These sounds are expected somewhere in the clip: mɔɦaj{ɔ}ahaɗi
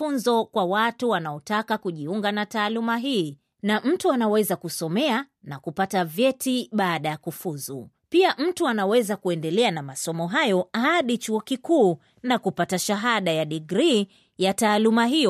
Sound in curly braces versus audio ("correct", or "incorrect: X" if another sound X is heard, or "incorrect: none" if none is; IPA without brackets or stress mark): correct